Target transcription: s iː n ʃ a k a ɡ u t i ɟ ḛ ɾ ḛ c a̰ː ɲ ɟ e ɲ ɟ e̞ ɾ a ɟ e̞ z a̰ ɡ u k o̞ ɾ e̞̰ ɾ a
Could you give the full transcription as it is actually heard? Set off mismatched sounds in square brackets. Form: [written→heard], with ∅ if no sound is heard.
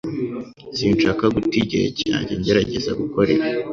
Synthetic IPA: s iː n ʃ a k a ɡ u t i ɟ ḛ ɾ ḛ c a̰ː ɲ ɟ e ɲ ɟ e̞ ɾ a ɟ e̞ z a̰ ɡ u k o̞ ɾ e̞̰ ɾ a